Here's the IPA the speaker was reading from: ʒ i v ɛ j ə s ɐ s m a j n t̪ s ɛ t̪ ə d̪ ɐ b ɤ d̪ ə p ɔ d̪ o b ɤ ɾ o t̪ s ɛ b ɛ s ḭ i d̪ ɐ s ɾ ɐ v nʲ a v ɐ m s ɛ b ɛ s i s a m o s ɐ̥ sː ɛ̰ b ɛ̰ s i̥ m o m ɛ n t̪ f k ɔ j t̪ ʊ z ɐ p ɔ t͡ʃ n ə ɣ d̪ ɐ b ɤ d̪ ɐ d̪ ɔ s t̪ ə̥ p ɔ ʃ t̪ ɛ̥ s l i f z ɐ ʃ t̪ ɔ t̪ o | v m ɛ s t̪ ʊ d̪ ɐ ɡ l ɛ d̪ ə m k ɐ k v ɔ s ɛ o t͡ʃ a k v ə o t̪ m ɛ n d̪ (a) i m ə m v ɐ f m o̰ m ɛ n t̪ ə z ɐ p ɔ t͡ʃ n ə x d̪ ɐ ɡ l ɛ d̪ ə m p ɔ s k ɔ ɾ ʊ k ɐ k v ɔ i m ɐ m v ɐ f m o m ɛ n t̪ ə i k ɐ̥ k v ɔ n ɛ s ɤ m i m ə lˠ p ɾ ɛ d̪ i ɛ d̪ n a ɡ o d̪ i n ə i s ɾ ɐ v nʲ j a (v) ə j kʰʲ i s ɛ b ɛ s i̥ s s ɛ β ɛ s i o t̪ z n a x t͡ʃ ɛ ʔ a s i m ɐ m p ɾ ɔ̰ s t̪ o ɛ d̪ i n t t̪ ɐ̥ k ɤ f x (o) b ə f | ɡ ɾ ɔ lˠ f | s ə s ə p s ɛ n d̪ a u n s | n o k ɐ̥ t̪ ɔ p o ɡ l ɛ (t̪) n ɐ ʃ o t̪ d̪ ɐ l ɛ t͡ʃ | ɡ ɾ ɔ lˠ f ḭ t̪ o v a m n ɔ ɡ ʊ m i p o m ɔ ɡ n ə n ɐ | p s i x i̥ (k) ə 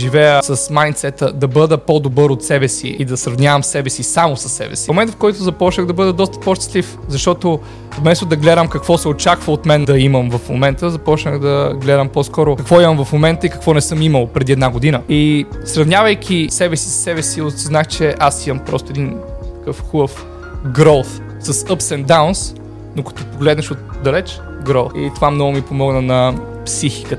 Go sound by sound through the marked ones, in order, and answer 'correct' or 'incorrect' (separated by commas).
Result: incorrect, correct, incorrect, incorrect, correct